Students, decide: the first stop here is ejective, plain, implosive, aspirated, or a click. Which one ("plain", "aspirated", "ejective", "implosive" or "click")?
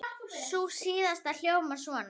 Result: plain